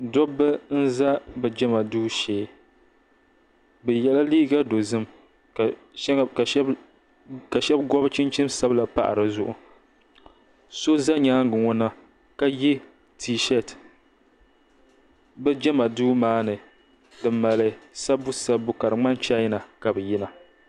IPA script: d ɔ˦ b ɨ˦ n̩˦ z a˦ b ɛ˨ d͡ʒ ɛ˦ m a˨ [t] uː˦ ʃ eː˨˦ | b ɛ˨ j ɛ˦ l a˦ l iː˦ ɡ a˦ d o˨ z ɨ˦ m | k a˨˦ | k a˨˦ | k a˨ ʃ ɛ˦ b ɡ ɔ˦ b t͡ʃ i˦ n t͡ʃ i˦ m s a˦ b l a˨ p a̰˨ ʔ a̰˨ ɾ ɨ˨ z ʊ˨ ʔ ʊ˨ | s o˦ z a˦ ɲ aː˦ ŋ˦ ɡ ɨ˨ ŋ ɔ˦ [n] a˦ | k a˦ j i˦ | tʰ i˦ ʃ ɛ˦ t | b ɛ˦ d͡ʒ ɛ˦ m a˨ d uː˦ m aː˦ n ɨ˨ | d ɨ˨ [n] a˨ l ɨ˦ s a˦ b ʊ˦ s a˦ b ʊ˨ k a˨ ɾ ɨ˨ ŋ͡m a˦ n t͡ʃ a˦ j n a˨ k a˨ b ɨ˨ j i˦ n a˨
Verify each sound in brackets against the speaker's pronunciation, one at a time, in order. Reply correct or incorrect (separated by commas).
incorrect, correct, incorrect